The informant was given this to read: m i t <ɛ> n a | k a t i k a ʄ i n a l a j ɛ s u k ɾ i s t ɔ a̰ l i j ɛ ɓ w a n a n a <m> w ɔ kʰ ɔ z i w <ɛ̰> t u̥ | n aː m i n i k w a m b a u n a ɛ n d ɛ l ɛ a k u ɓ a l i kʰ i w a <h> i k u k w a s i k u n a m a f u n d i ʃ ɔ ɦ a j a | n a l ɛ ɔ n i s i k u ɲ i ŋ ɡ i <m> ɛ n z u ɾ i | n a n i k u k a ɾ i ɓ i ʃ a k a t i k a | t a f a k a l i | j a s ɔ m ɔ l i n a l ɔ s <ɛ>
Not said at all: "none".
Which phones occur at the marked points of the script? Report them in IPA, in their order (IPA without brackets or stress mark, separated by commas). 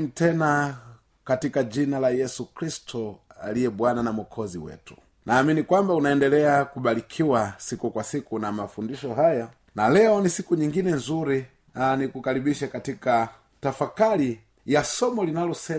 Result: ɛ, m, ɛ̰, s, n, ɛ